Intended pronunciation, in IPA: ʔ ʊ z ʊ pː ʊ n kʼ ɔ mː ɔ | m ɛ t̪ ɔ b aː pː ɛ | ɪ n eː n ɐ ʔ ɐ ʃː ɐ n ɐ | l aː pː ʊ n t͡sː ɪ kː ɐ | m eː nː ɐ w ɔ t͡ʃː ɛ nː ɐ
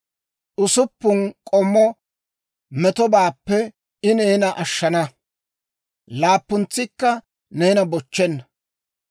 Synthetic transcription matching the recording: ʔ ʊ s ʊ pː ʊ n kʼ ɔ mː ɔ | m ɛ t̪ ɔ b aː pː ɛ | ɪ n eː n ɐ ʔ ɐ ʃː ɐ n ɐ | l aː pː ʊ n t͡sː ɪ kː ɐ | n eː n ɐ b ɔ t͡ʃː ɛ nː ɐ